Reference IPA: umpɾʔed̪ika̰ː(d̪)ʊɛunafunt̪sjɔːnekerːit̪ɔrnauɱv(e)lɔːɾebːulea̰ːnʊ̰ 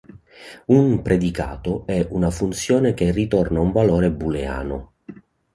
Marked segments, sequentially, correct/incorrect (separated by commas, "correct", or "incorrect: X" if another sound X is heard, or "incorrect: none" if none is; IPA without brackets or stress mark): incorrect: t̪, incorrect: a